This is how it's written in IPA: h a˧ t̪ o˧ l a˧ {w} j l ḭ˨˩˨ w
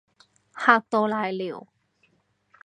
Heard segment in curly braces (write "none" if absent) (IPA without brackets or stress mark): none